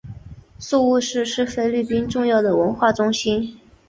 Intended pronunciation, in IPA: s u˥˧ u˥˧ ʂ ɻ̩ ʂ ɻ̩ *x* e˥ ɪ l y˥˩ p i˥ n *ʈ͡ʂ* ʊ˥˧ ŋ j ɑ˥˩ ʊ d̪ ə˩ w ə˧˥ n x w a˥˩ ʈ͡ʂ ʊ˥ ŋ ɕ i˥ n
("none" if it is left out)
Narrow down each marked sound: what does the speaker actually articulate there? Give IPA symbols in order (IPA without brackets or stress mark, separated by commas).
f, ʈ͡ʂ